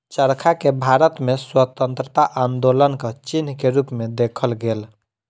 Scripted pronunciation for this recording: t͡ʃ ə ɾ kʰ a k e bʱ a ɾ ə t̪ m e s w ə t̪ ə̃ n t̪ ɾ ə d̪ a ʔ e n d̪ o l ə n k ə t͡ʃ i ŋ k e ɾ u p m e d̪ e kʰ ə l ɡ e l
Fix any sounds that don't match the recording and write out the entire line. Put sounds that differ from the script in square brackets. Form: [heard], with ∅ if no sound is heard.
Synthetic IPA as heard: t͡ʃ ə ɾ kʰ a k e bʱ a ɾ ə t̪ m e s w ə t̪ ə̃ n t̪ ɾ ə [t̪] a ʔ [a] n d̪ o l ə n k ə t͡ʃ i [n] k e ɾ u p m e d̪ e kʰ ə l ɡ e l